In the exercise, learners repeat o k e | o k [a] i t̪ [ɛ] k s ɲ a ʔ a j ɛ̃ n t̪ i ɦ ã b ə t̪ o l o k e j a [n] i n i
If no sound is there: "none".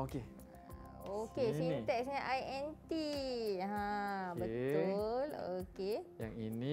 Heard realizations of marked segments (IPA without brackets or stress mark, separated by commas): e, ɛ, ŋ